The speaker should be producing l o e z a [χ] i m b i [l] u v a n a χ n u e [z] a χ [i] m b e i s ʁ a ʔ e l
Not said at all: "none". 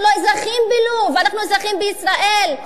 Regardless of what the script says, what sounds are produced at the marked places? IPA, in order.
χ, l, z, i

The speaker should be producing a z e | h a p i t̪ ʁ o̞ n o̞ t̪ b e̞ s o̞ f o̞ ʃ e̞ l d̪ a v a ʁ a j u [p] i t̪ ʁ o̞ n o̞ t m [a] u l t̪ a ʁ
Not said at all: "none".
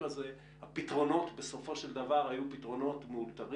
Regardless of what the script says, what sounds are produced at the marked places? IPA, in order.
p, e

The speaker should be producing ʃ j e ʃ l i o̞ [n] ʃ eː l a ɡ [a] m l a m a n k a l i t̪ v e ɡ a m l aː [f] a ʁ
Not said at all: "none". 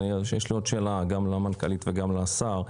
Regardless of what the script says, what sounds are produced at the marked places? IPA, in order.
d, a, s

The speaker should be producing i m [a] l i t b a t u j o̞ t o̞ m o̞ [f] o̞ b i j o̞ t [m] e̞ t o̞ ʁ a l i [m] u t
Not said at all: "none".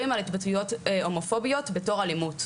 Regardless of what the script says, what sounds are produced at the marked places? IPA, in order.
a, f, b, m

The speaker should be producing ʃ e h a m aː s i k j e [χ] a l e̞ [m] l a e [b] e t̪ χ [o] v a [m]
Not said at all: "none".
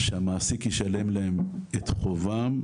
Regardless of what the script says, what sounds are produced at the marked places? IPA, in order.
ʃ, m, m, o, m

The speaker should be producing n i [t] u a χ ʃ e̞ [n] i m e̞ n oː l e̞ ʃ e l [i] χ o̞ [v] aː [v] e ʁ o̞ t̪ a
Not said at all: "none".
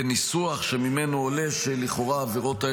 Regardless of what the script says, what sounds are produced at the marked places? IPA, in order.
s, m, i, ʁ, v

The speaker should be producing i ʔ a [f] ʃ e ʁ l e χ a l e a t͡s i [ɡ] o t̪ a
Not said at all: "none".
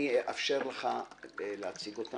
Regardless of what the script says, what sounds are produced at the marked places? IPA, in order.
f, ɡ

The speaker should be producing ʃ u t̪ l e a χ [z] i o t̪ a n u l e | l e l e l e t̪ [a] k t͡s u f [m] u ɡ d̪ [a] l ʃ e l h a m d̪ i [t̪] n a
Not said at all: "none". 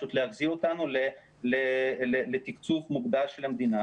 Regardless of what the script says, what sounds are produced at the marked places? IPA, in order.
z, i, m, a, none

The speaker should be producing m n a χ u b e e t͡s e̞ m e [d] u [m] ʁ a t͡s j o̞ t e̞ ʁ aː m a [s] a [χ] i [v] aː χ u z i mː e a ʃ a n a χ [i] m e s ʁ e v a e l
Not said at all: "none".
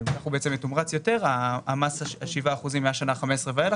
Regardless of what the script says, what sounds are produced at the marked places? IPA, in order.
t, m, s, ʃ, v, a

